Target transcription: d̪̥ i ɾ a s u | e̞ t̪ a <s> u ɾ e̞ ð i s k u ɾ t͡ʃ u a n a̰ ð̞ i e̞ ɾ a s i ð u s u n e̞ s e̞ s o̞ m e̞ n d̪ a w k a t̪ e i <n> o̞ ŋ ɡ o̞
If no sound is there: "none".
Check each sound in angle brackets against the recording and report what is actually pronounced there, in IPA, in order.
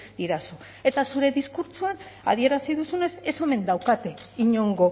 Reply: s, ɲ

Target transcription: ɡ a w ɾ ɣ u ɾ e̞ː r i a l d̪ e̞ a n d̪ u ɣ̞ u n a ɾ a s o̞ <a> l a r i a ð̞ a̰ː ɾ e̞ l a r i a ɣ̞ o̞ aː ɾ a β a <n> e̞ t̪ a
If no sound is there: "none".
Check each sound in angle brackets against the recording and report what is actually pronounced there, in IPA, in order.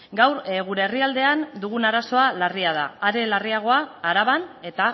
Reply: a, n

